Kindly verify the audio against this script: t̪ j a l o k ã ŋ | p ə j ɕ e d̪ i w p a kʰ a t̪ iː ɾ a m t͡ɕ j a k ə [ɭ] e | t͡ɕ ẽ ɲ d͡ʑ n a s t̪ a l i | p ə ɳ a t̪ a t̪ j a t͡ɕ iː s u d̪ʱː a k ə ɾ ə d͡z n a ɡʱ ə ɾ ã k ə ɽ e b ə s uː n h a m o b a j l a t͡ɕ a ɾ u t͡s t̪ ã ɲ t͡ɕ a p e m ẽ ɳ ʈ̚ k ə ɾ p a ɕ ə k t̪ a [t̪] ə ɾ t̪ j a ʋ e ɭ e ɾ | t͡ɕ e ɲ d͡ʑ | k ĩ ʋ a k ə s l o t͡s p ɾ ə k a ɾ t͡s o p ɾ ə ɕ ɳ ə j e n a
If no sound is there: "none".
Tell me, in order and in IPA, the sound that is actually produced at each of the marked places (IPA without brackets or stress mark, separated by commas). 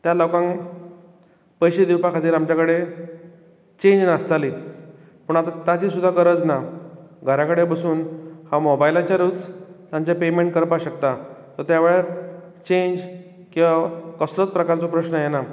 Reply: ɽ, t̪